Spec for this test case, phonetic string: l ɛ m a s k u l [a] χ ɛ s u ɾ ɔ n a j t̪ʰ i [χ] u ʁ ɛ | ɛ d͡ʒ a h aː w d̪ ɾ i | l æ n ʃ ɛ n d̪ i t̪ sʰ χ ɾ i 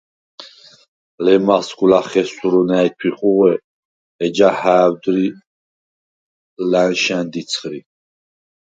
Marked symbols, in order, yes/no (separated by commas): yes, yes